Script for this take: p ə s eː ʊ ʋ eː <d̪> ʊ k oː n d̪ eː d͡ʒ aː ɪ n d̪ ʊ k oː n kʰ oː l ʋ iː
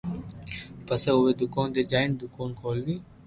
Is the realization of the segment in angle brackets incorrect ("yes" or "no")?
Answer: no